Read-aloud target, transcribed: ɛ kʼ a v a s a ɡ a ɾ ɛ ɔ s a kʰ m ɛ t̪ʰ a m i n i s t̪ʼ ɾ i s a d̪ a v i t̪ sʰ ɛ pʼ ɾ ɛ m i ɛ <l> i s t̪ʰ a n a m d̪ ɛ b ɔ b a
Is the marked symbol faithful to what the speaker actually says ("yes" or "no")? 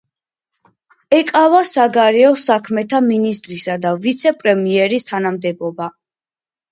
no